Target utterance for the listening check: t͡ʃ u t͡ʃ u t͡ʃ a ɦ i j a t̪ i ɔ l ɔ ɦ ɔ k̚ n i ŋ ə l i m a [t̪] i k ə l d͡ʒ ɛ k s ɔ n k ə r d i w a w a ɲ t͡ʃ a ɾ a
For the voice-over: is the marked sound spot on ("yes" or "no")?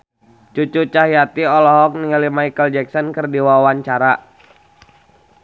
no